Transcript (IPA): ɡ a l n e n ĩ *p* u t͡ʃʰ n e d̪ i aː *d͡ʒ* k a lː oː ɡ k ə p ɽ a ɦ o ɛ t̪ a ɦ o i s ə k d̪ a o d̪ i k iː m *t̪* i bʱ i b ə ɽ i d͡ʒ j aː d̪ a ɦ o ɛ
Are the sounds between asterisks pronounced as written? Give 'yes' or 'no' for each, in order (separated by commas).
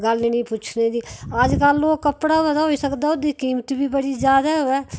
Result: yes, yes, yes